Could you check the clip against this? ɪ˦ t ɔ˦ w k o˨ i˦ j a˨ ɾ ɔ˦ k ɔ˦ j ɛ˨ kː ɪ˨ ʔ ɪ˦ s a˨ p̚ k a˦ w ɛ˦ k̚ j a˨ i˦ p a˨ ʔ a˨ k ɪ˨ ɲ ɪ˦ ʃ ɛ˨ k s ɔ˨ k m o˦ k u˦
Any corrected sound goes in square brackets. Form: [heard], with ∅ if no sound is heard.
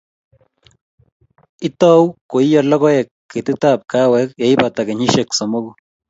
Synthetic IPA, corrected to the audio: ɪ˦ t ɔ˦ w k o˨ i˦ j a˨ [l] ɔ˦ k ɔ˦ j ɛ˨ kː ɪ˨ [t] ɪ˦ [t] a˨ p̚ k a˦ w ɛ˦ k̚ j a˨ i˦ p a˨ [t] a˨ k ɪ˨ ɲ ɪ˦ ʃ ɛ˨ k s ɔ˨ [∅] m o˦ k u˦